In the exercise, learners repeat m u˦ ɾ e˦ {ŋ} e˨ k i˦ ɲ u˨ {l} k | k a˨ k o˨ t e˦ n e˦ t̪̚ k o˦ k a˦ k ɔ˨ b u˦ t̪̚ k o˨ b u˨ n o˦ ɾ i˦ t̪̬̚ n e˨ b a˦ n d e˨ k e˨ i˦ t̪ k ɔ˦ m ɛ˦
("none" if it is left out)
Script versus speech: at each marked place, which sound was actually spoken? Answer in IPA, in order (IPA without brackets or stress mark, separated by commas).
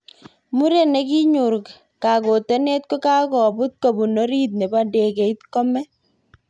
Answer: n, ɾ